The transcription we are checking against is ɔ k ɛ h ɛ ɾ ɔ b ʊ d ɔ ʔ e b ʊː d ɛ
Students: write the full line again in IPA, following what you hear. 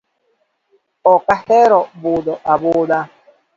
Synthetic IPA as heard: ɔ k a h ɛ ɾ ɔ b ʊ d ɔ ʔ a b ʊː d a